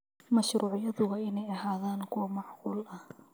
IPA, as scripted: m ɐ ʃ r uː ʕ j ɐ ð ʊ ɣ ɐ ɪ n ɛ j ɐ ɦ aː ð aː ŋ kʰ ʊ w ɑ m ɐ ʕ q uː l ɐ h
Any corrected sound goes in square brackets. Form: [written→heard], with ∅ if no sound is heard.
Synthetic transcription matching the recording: m ɐ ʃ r uː ʕ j ɐ ð ʊ ɣ ɐ ɪ n ɛ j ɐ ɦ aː ð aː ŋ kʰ ʊ w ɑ m [ɐ→ɑ] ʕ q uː l ɐ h